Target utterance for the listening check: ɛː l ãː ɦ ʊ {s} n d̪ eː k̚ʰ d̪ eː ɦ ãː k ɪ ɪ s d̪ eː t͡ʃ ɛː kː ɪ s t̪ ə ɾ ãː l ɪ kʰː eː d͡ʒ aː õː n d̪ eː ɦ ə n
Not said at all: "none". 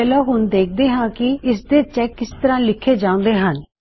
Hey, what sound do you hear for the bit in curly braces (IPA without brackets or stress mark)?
none